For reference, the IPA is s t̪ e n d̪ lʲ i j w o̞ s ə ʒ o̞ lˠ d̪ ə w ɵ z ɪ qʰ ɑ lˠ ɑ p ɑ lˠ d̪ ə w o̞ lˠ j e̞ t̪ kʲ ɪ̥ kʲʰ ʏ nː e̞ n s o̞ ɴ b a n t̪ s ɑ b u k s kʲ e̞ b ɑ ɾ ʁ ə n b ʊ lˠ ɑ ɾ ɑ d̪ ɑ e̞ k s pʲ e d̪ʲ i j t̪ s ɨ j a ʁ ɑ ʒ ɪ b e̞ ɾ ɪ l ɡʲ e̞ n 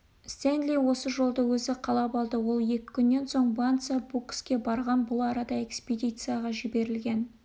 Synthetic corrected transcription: s t̪ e n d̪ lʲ i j w o̞ s ə ʒ o̞ lˠ d̪ ə w ɵ z ɪ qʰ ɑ lˠ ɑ p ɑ lˠ d̪ ə w o̞ lˠ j e̞ kʲ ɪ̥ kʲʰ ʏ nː e̞ n s o̞ ɴ b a n t̪ s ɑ b u k s kʲ e̞ b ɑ ɾ ʁ ɑ n b ʊ lˠ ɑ ɾ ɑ d̪ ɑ e̞ k s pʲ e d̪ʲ i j t̪ s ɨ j a ʁ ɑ ʒ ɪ b e̞ ɾ ɪ l ɡʲ e̞ n